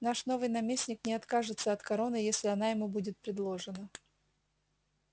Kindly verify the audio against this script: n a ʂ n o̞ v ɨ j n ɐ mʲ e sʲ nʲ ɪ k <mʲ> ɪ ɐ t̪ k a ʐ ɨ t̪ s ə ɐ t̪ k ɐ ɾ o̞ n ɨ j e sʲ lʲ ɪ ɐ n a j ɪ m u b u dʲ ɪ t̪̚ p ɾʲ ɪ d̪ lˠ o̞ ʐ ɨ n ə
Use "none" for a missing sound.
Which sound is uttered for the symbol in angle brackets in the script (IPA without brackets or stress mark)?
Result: nʲ